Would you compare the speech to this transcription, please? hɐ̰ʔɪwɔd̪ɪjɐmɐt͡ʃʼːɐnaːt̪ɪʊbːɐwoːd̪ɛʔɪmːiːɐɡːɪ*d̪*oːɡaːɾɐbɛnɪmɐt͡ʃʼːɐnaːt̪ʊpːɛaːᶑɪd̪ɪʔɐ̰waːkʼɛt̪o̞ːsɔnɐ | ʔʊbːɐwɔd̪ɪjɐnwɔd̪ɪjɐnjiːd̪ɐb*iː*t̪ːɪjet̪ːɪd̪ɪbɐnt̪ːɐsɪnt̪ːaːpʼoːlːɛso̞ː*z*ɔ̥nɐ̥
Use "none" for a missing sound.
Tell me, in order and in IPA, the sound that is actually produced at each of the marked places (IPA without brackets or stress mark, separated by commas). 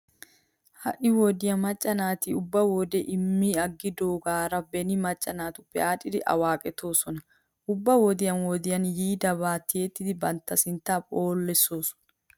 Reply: d̪, aː, s